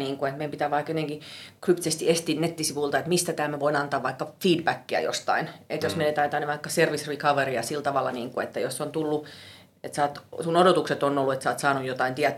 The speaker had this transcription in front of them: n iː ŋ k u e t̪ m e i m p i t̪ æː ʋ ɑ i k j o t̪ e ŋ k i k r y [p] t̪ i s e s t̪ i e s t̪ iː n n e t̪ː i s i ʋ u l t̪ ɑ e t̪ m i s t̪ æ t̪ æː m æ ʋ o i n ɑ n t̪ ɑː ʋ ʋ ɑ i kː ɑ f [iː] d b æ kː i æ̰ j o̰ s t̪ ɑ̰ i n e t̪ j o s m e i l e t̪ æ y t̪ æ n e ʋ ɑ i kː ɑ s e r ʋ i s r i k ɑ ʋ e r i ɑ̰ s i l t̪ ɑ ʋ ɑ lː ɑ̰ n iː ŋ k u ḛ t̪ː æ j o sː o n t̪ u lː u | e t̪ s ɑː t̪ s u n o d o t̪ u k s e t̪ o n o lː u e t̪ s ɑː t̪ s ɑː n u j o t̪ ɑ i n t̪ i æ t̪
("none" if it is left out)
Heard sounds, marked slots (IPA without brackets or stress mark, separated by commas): p, iː